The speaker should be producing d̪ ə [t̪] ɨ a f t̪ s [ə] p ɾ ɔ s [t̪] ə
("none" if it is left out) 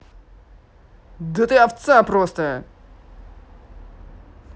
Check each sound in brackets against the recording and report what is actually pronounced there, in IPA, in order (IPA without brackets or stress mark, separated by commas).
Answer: t̪, a, t̪